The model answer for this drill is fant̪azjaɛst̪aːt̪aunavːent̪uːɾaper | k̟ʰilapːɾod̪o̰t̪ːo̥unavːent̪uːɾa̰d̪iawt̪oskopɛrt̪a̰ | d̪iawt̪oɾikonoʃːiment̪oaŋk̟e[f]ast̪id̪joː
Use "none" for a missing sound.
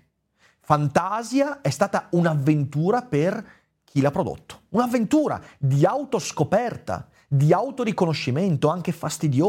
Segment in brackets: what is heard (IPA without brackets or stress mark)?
f